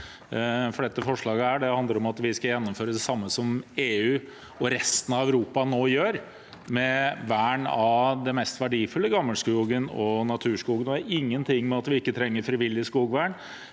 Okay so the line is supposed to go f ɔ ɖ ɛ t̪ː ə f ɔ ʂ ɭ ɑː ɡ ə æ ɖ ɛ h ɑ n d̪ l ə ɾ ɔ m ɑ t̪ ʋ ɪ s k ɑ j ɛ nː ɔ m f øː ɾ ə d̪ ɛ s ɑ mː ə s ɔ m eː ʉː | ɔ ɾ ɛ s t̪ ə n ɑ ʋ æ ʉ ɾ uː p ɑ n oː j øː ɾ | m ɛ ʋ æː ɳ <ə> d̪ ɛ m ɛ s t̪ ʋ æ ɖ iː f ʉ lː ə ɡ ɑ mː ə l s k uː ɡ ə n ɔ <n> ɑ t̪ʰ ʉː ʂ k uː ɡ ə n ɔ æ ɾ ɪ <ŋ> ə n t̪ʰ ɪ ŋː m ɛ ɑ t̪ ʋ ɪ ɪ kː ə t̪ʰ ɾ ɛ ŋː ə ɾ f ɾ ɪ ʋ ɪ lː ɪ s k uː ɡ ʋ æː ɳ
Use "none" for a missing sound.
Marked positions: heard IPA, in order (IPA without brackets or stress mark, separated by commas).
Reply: ɑ, n, ŋː